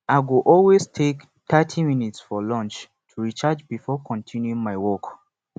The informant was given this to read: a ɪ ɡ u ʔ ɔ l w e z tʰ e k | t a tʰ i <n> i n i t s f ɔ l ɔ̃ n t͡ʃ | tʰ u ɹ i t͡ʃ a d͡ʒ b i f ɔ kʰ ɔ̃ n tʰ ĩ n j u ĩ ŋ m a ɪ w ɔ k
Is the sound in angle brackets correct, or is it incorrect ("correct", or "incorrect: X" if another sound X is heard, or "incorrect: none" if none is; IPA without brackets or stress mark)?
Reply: incorrect: m